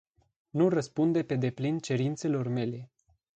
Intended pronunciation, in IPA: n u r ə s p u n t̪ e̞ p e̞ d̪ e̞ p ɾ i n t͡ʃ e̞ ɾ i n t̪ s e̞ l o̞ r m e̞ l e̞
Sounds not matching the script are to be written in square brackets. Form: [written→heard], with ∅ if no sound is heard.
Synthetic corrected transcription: n u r ə s p u n [t̪→d̪] e̞ p e̞ d̪ e̞ p [ɾ→l] i n t͡ʃ e̞ ɾ i n t̪ s e̞ l o̞ r m e̞ l e̞